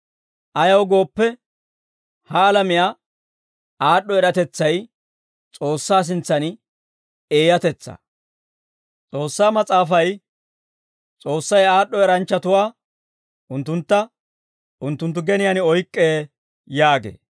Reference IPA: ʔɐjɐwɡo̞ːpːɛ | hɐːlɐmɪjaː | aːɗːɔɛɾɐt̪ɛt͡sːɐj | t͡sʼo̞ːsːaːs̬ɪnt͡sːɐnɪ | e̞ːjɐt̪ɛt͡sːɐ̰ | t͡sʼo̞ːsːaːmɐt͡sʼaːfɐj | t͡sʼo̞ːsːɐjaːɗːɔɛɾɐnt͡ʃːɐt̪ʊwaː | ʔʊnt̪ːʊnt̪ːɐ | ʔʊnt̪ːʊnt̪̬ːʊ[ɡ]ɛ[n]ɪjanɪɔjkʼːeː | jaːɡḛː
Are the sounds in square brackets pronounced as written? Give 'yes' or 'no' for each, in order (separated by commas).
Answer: yes, yes